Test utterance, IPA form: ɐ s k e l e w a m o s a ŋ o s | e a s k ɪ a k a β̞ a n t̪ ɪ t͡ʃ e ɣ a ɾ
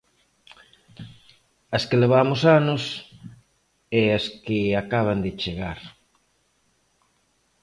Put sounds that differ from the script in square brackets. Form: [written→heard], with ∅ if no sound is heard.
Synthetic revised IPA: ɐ s k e l e [w→β] a m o s a [ŋ→n] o s | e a s k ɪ a k a β̞ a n [t̪→d̪] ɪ t͡ʃ e ɣ a ɾ